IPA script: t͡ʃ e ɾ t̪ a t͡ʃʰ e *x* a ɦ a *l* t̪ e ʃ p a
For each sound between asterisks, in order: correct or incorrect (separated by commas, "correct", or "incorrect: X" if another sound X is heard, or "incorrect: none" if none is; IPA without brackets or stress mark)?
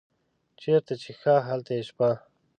correct, correct